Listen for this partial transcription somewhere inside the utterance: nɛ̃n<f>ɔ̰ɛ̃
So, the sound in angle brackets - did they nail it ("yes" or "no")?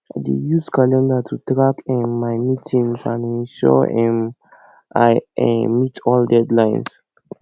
no